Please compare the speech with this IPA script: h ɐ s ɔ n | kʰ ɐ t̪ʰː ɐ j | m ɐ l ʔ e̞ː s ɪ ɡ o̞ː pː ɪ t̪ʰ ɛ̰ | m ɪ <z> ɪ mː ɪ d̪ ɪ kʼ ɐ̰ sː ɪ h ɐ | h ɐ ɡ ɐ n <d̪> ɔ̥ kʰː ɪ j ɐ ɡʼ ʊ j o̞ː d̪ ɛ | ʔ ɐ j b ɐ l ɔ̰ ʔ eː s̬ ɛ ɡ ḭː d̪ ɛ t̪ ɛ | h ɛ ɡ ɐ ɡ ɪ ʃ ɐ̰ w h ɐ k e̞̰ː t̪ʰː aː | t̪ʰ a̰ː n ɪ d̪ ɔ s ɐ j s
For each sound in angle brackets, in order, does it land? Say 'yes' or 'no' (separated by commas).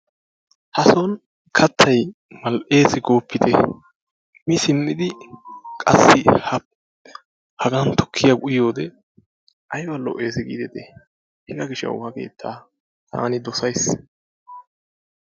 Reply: no, no